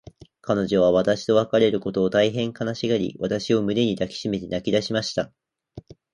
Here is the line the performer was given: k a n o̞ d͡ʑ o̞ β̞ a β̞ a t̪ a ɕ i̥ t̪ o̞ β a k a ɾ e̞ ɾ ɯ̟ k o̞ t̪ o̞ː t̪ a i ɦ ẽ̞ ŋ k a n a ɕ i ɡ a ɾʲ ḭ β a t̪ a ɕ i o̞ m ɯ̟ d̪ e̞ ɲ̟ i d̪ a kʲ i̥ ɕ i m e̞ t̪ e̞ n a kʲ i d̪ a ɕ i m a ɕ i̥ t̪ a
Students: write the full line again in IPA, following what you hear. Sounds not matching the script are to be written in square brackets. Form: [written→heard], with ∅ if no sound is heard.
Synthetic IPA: k a n o̞ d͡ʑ o̞ β̞ a β̞ a t̪ a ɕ i̥ t̪ o̞ β a k a ɾ e̞ ɾ ɯ̟ k o̞ t̪ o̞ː t̪ a i ɦ ẽ̞ ŋ k a n a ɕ i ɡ a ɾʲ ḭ β a t̪ a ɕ i o̞ m ɯ̟ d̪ e̞ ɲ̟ i d̪ a kʲ i̥ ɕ i m e̞ t̪ e̞ n a kʲ i d̪ a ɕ i m a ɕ i̥ t̪ a